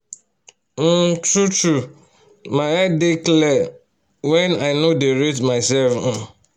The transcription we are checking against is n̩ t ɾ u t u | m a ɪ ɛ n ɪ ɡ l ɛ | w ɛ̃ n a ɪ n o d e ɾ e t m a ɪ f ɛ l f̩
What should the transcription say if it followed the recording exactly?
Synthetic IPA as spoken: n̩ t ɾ u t u | m a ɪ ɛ d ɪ k l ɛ | w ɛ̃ n a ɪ n o d e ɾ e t m a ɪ s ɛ l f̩